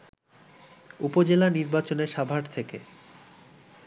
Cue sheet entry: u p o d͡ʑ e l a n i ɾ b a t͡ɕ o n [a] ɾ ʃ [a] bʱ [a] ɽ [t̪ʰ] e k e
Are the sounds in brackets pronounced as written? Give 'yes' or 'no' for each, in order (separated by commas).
no, yes, yes, yes